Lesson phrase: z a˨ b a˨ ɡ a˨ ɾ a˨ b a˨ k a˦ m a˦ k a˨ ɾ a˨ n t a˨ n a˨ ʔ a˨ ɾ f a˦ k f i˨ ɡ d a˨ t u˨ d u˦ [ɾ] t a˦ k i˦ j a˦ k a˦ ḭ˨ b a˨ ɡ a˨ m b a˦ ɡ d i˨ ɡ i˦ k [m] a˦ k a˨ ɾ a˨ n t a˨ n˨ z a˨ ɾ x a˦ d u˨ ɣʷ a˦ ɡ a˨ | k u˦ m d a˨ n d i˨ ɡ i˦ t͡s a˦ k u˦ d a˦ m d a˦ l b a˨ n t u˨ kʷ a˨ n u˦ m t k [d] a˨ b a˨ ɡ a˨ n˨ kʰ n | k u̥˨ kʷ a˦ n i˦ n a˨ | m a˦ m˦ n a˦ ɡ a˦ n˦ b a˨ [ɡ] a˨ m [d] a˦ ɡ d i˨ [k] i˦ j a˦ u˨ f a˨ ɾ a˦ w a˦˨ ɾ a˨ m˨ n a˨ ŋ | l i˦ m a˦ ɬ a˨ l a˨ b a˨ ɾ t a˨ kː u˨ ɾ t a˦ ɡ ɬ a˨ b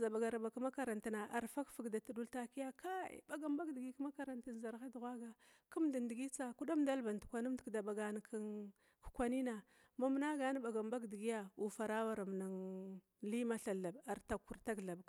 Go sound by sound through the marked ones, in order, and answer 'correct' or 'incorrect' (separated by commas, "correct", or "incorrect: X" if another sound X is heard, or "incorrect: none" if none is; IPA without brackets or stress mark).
incorrect: l, correct, correct, correct, incorrect: b, incorrect: ɡ